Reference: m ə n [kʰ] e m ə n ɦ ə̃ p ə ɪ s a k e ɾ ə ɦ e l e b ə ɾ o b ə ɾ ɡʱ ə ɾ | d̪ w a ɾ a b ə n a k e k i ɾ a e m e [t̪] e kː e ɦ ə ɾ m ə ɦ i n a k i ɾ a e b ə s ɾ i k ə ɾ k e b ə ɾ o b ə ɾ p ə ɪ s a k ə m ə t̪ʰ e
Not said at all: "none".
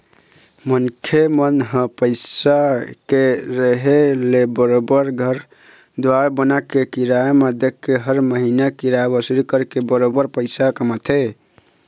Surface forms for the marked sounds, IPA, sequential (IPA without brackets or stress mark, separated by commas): kʰ, d̪